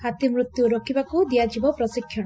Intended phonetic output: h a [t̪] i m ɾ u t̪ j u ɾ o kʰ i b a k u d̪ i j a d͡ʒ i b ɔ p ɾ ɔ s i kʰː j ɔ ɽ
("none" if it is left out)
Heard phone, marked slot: t̪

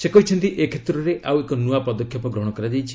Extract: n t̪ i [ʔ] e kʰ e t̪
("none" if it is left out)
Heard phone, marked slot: ʔ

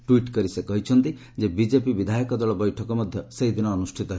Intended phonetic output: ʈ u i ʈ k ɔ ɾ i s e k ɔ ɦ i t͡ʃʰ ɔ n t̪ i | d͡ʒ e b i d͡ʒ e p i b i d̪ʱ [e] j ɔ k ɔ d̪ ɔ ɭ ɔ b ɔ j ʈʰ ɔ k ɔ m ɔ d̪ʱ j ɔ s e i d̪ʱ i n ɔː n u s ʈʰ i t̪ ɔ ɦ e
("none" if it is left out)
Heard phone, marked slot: a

